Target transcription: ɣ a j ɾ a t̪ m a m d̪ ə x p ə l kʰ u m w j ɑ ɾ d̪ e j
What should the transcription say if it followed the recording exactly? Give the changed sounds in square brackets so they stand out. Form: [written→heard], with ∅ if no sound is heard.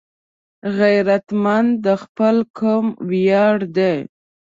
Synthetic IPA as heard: ɣ a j ɾ a t̪ m a [m→n] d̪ ə x p ə l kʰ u m w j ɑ [ɾ→ɽ] d̪ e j